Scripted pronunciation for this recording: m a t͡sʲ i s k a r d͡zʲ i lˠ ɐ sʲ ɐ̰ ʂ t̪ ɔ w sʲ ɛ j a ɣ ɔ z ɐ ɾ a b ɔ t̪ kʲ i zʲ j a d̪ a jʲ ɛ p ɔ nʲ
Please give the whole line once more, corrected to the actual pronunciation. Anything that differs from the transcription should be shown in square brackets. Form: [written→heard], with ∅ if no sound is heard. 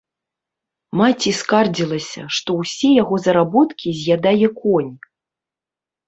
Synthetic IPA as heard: m a t͡sʲ i s k a r d͡zʲ i lˠ ɐ sʲ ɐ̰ ʂ t̪ ɔ w sʲ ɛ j a ɣ ɔ z ɐ ɾ a b ɔ t̪ kʲ i zʲ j a d̪ a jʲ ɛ [p→k] ɔ nʲ